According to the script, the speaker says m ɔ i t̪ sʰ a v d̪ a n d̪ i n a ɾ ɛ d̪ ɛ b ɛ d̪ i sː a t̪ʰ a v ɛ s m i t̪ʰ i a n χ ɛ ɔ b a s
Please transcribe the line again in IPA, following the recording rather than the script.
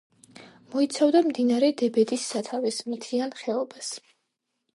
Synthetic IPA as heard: m ɔ i t̪ sʰ a v d̪ a m d̪ i n a ɾ ɛ d̪ ɛ b ɛ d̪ i sː a t̪ʰ a v ɛ s m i t̪ʰ i a n χ ɛ ɔ b a s